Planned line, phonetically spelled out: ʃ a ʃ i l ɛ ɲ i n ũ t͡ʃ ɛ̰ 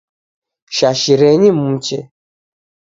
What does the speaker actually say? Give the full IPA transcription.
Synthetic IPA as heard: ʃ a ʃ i ɾ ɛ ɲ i m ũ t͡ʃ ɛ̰